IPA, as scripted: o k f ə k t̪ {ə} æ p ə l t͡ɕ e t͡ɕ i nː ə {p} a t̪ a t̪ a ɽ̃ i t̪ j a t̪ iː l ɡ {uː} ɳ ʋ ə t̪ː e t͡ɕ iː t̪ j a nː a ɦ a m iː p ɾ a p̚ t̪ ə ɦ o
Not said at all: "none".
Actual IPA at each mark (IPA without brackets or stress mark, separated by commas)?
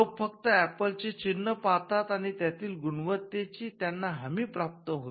ə, p, u